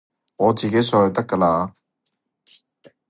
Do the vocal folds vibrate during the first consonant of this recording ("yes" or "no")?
yes